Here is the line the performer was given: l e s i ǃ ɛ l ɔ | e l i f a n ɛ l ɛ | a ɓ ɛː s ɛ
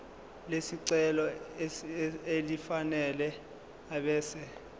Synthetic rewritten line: l e s i ǀ ɛ l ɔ | e l i f a n ɛ l ɛ | a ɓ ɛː s ɛ